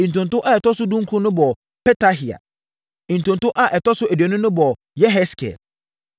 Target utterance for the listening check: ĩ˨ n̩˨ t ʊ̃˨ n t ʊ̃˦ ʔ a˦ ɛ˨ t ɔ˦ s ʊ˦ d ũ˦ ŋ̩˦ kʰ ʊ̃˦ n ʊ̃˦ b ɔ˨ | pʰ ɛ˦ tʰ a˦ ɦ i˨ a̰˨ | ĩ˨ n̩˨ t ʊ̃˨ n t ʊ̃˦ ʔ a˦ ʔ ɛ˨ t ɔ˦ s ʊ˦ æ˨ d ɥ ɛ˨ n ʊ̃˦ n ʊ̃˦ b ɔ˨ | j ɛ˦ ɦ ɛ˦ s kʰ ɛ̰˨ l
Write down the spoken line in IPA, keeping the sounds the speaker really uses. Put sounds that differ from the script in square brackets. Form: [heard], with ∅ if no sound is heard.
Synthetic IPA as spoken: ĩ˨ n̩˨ t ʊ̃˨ n t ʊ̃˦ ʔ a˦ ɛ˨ t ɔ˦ s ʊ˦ d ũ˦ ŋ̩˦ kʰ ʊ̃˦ n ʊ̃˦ b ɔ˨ | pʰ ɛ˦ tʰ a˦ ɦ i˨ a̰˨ | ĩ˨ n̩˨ t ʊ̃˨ n t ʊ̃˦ ʔ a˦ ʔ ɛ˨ t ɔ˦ s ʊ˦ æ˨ d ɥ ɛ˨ n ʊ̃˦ n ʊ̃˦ b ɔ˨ | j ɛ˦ ɦ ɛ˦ s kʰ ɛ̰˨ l